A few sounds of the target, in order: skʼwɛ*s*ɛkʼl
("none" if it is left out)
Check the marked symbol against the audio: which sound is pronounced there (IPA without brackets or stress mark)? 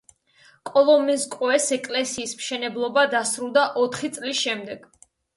s